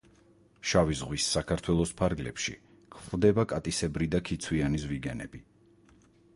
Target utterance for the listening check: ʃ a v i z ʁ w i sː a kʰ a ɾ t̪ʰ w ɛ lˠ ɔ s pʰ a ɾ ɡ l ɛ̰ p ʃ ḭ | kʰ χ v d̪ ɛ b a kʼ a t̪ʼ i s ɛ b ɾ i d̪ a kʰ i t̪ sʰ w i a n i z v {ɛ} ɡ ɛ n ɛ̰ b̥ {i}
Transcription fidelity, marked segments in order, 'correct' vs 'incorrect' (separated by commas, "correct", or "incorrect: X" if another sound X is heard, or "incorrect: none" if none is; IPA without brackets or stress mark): incorrect: i, correct